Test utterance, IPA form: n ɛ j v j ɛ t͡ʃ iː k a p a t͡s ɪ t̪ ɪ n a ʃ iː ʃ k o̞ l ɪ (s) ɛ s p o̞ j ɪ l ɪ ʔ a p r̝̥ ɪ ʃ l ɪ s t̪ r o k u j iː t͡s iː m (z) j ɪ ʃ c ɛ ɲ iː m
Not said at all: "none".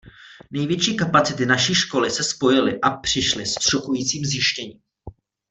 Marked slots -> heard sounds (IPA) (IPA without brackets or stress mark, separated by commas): s, z